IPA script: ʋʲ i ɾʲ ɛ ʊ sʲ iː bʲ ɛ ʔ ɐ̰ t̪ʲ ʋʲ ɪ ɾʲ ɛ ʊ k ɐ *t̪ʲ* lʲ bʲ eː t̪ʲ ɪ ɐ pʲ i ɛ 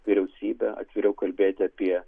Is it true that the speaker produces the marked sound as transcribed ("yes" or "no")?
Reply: no